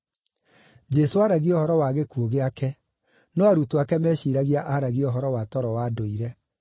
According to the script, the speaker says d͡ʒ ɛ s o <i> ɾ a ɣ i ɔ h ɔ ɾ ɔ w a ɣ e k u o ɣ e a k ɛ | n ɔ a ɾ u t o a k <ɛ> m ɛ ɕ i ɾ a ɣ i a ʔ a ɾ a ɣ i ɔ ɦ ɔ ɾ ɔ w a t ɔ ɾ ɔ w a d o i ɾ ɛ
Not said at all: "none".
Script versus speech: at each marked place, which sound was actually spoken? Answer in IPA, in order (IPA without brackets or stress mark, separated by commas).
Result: a, ɛ